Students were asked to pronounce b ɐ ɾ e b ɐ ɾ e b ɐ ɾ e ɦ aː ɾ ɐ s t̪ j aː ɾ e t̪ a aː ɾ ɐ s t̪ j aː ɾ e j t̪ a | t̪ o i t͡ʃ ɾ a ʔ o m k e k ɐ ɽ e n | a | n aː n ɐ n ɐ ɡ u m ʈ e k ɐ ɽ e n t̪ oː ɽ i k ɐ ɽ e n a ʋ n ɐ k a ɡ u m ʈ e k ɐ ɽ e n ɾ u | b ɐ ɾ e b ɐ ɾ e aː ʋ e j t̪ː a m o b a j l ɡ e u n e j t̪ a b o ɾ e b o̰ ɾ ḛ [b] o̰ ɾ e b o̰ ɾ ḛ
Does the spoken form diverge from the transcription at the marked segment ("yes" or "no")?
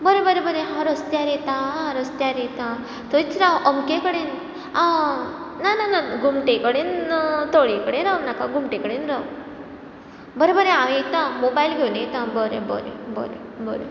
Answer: no